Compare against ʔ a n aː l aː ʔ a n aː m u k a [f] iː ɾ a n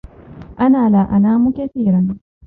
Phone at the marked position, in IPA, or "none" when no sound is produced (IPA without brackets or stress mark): θ